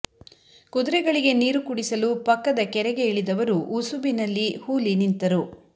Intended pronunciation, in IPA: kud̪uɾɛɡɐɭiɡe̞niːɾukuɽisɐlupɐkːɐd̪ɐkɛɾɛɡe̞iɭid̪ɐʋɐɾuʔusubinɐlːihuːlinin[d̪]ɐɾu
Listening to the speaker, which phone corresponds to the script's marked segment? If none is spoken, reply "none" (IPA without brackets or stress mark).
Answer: t̪